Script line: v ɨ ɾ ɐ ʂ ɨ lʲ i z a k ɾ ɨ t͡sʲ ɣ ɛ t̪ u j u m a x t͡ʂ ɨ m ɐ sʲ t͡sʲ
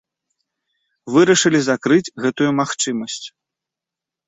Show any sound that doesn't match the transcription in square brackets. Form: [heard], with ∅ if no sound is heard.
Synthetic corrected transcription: v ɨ ɾ ɐ ʂ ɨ lʲ i z a k ɾ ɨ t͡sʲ ɣ ɛ t̪ u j u m a x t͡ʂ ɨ m ɐ sʲ t͡sʲ